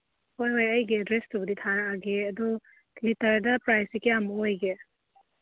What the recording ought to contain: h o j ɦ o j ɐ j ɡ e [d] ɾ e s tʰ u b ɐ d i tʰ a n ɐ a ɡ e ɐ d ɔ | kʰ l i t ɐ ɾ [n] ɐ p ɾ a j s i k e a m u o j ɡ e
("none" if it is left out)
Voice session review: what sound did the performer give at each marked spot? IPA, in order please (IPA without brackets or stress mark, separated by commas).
d, d